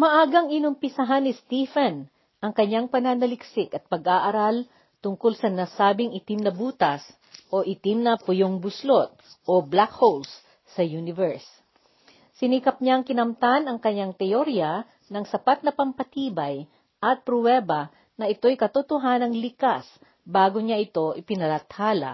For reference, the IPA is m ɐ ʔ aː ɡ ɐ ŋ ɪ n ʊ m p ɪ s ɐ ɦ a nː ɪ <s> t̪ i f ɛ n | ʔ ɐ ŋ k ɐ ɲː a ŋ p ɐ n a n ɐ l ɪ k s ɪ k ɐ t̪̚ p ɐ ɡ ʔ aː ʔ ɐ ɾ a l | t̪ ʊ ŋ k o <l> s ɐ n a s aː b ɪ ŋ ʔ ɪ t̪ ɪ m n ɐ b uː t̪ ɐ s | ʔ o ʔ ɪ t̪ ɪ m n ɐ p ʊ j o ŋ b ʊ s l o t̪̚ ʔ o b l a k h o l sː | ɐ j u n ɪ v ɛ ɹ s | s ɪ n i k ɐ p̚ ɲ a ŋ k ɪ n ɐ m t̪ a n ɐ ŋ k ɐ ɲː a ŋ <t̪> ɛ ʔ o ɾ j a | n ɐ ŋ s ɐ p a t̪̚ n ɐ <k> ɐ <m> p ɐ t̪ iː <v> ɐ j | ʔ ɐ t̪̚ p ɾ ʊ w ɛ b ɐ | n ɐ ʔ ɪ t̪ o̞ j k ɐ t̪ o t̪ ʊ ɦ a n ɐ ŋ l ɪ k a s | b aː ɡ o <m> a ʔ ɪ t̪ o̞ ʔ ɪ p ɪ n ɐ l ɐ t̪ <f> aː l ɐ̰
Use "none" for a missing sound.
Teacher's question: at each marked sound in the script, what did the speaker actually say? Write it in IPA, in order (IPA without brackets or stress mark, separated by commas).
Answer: s, l, t̪, p, m, b, ɲ, h